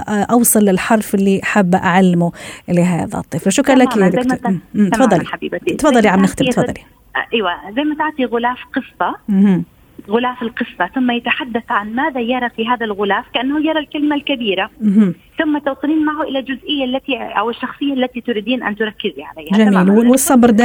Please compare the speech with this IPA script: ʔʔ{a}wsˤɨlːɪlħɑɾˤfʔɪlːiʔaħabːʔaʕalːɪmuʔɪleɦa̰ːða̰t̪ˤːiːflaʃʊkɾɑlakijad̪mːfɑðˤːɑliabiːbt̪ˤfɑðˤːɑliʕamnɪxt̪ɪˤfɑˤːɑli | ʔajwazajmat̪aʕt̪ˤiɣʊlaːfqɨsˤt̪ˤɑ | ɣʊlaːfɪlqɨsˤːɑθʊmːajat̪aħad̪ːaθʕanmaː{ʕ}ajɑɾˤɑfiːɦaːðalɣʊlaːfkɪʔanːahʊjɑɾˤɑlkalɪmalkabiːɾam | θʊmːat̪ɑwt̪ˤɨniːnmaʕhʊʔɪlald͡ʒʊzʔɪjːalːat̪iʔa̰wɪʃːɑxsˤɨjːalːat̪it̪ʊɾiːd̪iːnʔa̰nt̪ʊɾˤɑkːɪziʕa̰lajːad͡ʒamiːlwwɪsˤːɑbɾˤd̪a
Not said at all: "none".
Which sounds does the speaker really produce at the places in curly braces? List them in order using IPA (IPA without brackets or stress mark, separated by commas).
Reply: ɑ, ð